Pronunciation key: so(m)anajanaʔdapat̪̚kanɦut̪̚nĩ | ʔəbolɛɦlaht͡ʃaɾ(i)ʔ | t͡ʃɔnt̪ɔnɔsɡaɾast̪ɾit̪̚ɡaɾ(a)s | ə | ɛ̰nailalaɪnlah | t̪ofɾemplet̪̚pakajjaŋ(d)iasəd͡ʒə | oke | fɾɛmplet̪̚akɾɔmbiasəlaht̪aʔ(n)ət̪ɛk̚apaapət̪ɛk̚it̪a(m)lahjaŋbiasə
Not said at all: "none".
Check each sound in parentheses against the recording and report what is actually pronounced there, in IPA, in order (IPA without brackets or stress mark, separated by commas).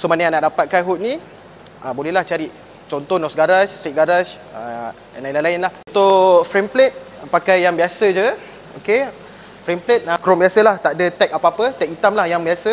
m, i, a, b, d, m